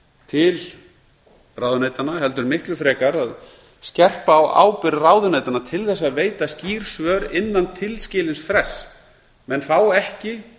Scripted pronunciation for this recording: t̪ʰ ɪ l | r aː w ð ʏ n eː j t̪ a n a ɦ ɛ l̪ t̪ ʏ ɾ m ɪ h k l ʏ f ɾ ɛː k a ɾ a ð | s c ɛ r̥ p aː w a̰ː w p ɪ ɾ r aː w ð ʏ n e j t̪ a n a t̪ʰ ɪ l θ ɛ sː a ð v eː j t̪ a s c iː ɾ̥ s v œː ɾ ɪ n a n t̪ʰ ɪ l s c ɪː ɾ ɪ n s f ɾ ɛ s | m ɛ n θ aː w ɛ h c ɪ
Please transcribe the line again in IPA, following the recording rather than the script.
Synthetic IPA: t̪ʰ ɪ l | r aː w ð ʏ n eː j t̪ a n a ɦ ɛ l̪ t̪ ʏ ɾ m ɪ h k l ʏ f ɾ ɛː k a ɾ a ð | s c ɛ r̥ p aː w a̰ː w p ɪ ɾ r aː w ð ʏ n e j t̪ a n a t̪ʰ ɪ l θ ɛ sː a ð v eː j t̪ a s c iː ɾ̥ s v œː ɾ ɪ nː a n t̪ʰ ɪ l s c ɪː l ɪ n s f ɾ ɛ s | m ɛ n θ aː w ɛ h c ɪ